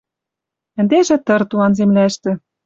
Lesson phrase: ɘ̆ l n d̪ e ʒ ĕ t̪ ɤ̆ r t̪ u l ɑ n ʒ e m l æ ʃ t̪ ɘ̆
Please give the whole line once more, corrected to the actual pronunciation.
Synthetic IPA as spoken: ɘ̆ n d̪ e ʒ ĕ t̪ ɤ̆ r t̪ u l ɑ n z e m l æ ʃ t̪ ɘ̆